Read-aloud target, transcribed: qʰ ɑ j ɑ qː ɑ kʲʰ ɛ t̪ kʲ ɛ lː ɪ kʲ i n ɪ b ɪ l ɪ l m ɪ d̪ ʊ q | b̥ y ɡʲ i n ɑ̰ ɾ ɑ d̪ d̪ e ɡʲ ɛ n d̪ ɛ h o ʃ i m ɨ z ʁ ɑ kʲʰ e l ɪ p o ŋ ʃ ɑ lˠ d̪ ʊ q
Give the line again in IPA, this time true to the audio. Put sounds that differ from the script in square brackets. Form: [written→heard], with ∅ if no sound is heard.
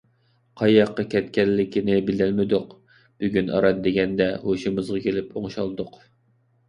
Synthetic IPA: qʰ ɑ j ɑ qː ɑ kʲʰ ɛ t̪ kʲ ɛ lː ɪ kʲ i n ɪ b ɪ l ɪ l m ɪ d̪ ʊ q | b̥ y ɡʲ [i→y] n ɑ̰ ɾ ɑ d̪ d̪ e ɡʲ ɛ n d̪ ɛ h o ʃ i m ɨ z ʁ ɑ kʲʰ e l ɪ p o ŋ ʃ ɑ lˠ d̪ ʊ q